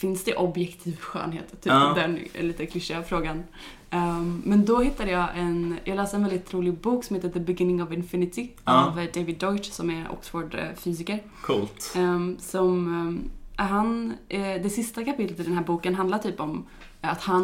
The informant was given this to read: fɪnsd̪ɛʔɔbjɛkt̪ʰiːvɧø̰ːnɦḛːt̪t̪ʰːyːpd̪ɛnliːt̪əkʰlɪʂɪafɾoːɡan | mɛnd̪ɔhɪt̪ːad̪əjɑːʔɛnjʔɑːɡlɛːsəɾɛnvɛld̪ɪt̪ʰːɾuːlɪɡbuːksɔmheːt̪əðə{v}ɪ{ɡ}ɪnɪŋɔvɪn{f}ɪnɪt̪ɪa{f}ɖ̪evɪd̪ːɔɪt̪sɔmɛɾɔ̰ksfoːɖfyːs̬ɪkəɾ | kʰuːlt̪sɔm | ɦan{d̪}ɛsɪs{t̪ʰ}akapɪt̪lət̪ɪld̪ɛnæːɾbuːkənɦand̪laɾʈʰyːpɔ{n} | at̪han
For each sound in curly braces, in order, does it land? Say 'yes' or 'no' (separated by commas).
no, yes, yes, no, yes, no, no